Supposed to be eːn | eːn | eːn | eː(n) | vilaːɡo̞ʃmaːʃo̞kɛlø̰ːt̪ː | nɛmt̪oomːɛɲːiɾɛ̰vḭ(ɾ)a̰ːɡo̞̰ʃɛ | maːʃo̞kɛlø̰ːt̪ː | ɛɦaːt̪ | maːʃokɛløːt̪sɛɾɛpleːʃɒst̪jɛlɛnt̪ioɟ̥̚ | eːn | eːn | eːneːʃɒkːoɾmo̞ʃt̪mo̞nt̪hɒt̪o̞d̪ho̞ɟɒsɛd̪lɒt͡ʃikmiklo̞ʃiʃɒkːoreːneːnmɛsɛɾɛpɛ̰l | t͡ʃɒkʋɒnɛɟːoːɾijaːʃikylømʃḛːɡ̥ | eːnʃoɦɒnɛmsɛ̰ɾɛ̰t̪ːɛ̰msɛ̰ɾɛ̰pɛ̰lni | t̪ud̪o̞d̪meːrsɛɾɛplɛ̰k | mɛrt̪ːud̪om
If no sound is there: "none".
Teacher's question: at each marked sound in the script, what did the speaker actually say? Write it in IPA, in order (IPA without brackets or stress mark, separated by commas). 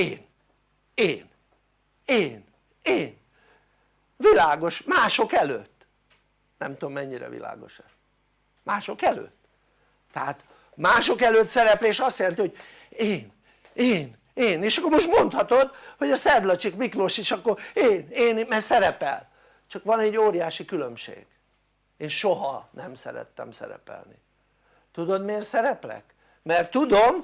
n, l